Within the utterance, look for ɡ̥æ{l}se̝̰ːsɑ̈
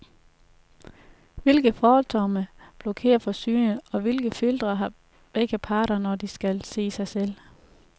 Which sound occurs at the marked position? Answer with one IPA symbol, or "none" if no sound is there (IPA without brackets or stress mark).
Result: l